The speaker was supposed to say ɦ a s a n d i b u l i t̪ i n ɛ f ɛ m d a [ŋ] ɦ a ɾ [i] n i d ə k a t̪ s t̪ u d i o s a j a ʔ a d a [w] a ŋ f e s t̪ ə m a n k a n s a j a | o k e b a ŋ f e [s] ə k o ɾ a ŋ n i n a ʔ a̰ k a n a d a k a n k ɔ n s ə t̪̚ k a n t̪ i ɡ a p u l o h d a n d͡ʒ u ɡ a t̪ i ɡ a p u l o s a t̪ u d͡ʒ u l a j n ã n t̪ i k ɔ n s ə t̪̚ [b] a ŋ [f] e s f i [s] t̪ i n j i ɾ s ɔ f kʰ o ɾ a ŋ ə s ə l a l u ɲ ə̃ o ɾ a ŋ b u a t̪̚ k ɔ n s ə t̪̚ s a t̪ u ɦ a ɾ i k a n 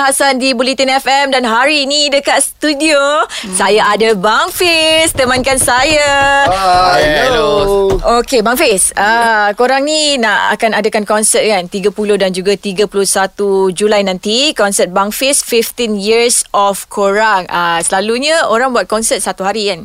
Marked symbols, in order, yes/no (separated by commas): no, yes, no, yes, yes, yes, no